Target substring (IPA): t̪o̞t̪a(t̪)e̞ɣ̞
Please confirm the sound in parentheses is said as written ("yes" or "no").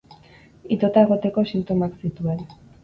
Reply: no